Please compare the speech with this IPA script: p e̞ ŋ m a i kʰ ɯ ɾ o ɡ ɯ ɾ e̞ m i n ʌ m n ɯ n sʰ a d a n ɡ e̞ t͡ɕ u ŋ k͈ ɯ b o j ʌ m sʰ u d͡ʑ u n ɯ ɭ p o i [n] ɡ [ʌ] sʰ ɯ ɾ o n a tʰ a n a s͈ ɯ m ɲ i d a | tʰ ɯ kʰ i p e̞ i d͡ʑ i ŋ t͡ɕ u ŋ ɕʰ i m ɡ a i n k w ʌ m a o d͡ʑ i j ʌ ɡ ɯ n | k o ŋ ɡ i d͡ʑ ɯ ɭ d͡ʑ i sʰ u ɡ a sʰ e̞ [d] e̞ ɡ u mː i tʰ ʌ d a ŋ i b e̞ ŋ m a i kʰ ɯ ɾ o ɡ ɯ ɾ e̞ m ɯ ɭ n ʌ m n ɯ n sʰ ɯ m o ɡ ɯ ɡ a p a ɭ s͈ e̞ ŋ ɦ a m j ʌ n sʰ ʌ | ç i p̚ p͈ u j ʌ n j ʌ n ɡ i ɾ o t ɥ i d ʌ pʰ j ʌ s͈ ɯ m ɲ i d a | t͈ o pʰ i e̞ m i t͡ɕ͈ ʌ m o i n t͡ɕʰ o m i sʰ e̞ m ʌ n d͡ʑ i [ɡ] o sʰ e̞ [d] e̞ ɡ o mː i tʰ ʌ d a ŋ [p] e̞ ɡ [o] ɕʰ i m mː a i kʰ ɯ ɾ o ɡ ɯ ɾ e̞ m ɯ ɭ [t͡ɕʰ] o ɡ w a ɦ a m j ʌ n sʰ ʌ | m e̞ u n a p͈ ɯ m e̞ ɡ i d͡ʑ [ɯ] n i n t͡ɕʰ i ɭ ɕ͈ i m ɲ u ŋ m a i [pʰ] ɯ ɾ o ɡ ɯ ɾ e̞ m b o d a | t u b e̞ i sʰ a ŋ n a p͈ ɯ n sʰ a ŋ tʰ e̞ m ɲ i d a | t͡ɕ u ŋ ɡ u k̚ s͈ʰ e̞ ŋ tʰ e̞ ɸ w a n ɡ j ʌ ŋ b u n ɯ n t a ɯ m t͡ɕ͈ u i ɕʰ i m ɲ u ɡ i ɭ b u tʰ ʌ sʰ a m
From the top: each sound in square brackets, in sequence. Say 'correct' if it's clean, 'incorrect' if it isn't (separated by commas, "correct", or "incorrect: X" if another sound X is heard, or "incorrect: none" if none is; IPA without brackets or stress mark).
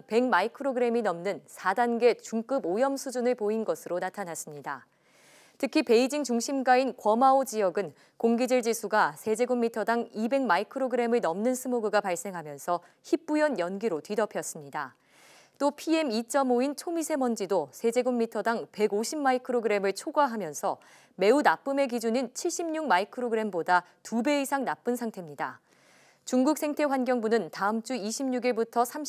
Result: correct, correct, incorrect: d͡ʑ, incorrect: d, incorrect: d͡ʑ, correct, correct, correct, incorrect: u, incorrect: kʰ